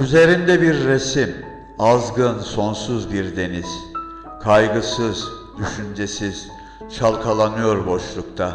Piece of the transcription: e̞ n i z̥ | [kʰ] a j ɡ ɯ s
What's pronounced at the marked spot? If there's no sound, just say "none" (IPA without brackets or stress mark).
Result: kʰ